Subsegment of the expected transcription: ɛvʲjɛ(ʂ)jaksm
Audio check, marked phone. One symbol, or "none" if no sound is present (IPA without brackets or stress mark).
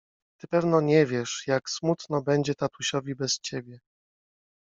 ʂ